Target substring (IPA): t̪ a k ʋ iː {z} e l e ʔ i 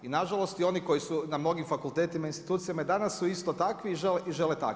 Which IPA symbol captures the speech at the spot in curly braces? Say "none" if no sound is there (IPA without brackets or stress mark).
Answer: ʒ